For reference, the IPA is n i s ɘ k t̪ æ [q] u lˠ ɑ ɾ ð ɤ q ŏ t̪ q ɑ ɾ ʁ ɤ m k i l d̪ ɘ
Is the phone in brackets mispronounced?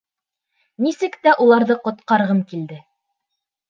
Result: yes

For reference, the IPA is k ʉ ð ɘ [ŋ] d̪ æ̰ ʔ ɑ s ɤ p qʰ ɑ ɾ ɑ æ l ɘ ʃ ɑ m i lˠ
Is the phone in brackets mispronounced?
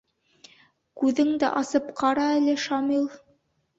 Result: no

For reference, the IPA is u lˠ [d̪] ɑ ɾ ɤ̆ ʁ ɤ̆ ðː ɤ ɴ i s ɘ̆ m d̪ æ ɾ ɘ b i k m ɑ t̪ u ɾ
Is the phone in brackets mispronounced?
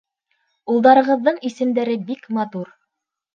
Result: no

